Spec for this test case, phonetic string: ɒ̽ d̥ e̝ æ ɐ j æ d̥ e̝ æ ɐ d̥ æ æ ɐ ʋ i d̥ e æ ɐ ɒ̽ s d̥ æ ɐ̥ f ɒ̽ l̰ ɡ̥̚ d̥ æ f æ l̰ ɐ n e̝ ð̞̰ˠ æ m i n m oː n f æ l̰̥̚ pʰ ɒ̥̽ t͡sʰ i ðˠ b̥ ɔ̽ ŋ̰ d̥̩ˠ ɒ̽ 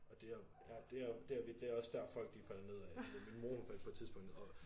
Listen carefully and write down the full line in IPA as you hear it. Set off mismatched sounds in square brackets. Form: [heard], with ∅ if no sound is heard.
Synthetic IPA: ɒ̽ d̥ e̝ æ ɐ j æ d̥ e̝ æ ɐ d̥ [e] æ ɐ ʋ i d̥ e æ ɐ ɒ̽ s d̥ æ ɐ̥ f ɒ̽ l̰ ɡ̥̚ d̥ [i] f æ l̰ ɐ n e̝ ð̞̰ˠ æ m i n m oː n f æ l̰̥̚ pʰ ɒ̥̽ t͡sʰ i ðˠ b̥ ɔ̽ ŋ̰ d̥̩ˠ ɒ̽